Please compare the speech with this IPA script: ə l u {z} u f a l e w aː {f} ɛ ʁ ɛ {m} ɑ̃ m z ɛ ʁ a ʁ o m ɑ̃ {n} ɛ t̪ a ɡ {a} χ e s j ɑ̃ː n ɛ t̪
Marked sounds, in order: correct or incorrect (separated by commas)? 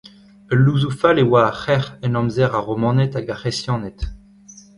correct, incorrect, incorrect, correct, correct